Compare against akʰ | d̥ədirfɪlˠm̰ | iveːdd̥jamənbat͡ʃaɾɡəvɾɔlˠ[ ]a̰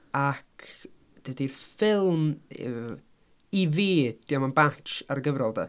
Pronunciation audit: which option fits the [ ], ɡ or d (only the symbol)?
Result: d